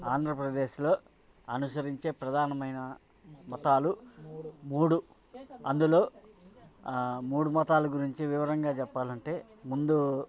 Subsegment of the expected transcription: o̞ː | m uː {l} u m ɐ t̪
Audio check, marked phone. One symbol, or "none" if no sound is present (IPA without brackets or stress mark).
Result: ɽ